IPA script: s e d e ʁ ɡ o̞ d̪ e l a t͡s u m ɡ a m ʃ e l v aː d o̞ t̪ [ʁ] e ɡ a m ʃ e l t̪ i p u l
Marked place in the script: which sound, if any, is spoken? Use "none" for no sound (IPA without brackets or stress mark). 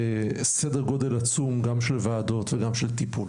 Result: v